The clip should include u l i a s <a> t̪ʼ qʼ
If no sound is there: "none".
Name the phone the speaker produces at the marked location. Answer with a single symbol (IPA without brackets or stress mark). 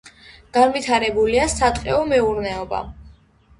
a